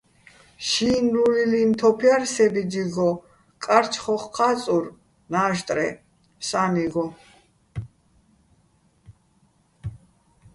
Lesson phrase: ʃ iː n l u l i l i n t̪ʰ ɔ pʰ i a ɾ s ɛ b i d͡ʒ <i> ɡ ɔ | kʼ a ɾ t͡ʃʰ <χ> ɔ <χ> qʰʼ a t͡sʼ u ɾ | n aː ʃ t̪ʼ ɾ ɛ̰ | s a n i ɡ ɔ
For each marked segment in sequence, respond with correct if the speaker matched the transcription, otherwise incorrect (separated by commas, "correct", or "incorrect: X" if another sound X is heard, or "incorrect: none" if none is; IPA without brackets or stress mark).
correct, correct, correct